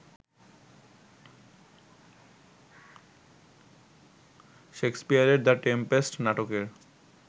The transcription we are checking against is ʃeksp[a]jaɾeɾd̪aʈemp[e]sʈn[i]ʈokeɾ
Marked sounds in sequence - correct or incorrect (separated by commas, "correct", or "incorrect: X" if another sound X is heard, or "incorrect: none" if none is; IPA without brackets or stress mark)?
incorrect: i, correct, incorrect: a